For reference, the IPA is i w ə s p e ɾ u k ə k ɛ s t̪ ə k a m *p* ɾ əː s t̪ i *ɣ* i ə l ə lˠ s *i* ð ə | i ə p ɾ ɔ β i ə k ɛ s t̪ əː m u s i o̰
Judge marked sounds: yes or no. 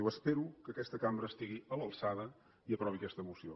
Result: no, yes, no

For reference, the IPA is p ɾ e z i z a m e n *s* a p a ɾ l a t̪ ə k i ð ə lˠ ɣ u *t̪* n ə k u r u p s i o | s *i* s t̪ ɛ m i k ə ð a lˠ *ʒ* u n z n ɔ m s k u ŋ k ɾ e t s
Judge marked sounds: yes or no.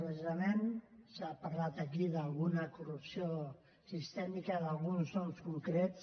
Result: yes, no, yes, no

